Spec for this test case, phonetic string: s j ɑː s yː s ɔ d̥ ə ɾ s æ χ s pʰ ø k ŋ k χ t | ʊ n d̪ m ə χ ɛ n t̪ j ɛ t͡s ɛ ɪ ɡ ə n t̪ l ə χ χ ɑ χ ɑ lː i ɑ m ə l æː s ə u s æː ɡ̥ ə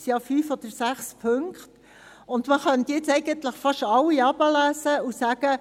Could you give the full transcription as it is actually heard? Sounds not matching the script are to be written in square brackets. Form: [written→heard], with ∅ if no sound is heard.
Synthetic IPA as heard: s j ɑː [s→f] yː [s→f] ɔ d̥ ə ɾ s æ χ s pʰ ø [k→∅] ŋ k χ t | ʊ n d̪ m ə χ [ɛ→œ] n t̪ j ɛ t͡s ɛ ɪ ɡ ə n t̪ l ə χ [χ→f] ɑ [χ→ʃ] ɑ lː i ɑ [m→b] ə l æː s ə u s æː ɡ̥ ə